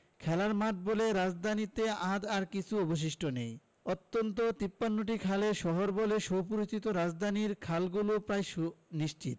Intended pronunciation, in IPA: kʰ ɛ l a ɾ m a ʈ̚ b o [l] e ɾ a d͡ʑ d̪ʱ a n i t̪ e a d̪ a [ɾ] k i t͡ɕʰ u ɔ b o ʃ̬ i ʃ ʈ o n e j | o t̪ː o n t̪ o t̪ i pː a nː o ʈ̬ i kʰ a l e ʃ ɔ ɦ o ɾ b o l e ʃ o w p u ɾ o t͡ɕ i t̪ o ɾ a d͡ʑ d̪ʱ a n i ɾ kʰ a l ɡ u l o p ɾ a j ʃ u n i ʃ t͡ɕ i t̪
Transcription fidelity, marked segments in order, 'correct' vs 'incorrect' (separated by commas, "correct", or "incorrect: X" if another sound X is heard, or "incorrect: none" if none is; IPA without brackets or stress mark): correct, correct